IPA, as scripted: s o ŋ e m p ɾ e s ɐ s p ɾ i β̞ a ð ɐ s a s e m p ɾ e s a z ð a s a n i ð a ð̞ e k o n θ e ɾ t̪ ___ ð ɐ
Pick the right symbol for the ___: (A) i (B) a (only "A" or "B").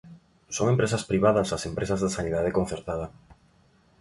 B